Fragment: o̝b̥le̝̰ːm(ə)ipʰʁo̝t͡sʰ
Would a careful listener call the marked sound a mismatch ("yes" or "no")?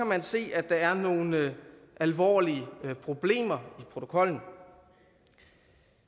yes